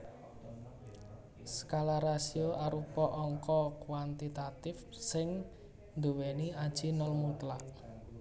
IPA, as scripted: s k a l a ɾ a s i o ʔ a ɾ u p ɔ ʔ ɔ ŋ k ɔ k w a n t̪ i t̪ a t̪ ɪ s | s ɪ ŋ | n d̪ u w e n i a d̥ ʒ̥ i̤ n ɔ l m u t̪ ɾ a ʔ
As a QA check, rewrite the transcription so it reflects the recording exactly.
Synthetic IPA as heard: s k a l a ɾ a s i o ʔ a ɾ u p ɔ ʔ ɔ ŋ k ɔ k w a n t̪ i t̪ a t̪ ɪ f | s ɪ ŋ | n d̪ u w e n i a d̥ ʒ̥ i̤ n ɔ l m u t̪ l a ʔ

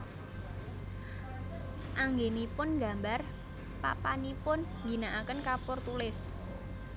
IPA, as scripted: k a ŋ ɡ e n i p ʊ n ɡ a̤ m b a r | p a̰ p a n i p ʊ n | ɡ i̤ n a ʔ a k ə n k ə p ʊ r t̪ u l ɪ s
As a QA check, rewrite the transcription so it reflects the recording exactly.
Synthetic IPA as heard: ʔ a ŋ ɡ e n i p ʊ n ɡ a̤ m b a r | p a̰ p a n i p ʊ n | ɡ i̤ n a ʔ a k ə n k a p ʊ r t̪ u l ɪ s

